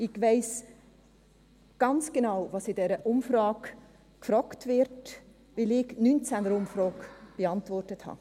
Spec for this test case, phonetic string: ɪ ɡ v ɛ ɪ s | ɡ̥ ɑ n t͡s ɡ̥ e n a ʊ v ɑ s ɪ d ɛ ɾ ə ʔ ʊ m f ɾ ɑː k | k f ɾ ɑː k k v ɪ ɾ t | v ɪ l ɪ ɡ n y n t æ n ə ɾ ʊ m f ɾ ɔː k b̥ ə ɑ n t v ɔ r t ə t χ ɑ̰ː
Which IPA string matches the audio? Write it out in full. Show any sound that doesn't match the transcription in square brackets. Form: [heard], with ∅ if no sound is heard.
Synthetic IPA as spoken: ɪ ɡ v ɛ ɪ s | ɡ̥ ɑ n t͡s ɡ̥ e n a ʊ v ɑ s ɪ d ɛ ɾ ə ʔ ʊ m f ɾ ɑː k | k f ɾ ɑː k [t] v ɪ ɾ t | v ɪ l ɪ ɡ n y n [t͡s] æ n ə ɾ ʊ m f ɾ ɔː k b̥ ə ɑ n t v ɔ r t ə t [h] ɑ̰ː